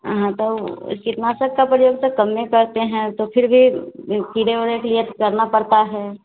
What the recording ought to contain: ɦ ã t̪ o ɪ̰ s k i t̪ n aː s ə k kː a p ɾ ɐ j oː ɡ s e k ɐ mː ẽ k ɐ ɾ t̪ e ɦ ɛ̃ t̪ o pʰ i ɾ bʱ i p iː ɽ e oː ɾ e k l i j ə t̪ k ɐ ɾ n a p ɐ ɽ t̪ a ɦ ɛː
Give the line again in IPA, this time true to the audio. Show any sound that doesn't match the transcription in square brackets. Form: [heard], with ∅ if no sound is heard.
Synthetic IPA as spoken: ɦ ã t̪ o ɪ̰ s k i t̪ n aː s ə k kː a p ɾ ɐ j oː ɡ s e k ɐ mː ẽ k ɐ ɾ t̪ e ɦ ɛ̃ t̪ o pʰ [ɪ] ɾ bʱ i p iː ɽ e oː ɾ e k l i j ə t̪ k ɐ ɾ n a p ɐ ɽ t̪ a ɦ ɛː

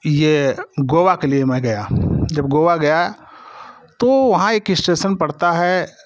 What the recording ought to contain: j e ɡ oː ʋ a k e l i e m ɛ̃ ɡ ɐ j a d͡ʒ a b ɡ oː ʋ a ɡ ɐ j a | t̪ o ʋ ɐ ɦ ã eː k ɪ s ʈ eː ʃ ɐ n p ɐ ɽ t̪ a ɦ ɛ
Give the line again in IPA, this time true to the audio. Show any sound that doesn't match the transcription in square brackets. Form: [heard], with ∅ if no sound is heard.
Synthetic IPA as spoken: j e ɡ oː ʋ a k e l i e m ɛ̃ ɡ ɐ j a d͡ʒ [ɐ] b ɡ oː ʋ a ɡ ɐ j a | t̪ o ʋ ɐ ɦ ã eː k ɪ s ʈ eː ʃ [ə] n p ɐ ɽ t̪ a ɦ ɛ

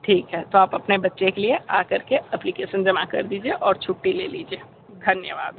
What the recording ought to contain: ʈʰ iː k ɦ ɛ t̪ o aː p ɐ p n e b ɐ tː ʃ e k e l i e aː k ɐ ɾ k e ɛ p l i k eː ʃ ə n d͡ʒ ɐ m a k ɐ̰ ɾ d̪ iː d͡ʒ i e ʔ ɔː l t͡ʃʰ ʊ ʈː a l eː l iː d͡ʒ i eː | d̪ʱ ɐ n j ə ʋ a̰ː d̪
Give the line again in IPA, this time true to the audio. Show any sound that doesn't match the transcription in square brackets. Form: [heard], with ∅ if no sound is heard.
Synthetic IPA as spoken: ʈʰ iː k ɦ ɛ t̪ o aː p ɐ p n e b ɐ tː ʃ e k e l i e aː k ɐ ɾ k e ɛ p l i k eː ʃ ə n d͡ʒ ɐ m a k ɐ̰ ɾ d̪ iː d͡ʒ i e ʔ ɔː [ɾ] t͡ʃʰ ʊ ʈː [i] l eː l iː d͡ʒ i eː | d̪ʱ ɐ n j ə ʋ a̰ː d̪

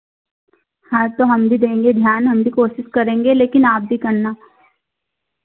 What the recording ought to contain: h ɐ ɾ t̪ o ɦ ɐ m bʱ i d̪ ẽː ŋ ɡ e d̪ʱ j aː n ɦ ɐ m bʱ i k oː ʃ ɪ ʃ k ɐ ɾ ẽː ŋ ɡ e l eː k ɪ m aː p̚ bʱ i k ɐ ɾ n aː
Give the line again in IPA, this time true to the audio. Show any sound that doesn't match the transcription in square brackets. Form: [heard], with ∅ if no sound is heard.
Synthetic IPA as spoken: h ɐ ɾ t̪ o ɦ ɐ m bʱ i d̪ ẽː ŋ ɡ e d̪ʱ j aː n ɦ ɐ m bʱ i k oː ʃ ɪ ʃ k ɐ ɾ ẽː ŋ ɡ e l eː k ɪ [n] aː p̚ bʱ i k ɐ ɾ n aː

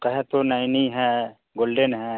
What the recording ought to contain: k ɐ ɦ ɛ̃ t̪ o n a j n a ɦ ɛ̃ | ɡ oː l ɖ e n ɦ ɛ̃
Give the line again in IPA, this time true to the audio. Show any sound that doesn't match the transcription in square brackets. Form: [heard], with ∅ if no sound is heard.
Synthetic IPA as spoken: k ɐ ɦ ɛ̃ t̪ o n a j n [i] ɦ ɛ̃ | ɡ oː l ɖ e n ɦ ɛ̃

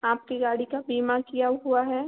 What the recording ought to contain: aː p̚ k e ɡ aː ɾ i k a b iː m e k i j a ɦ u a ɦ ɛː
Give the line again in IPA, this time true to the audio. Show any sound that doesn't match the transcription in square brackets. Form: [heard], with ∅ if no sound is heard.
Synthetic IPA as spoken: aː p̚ k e ɡ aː [ɽ] i k a b iː m [a] k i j a ɦ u a ɦ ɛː

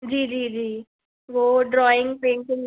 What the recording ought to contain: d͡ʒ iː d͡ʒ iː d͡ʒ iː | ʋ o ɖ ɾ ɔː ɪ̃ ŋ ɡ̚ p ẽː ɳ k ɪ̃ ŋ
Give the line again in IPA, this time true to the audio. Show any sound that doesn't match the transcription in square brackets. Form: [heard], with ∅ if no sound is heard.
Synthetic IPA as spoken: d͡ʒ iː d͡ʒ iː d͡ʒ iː | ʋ o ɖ ɾ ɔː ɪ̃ ŋ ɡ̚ p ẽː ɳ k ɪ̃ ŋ

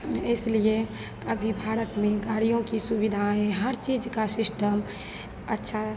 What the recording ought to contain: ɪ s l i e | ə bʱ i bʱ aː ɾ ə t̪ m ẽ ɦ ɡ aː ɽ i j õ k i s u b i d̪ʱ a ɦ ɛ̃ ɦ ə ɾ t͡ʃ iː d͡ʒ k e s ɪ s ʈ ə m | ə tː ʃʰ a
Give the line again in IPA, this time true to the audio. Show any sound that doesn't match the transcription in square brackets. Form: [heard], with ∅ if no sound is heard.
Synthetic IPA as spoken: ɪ s l i e | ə bʱ i bʱ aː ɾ ə t̪ m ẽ [∅] ɡ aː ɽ i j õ k i s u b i d̪ʱ a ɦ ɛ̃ ɦ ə ɾ t͡ʃ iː d͡ʒ k [a] s ɪ s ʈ ə m | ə tː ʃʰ a

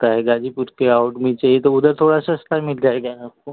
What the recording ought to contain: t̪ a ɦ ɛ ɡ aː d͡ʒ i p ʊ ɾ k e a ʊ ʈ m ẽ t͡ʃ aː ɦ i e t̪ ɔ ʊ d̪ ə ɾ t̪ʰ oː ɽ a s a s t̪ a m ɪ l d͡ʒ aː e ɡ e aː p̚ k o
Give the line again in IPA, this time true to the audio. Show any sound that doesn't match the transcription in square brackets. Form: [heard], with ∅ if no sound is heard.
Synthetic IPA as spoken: t̪ a ɦ ɛ ɡ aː d͡ʒ i p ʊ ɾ k e a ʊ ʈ m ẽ t͡ʃ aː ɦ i e t̪ [o] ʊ d̪ ə ɾ t̪ʰ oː ɽ a s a s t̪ a m ɪ l d͡ʒ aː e ɡ [a] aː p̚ k o

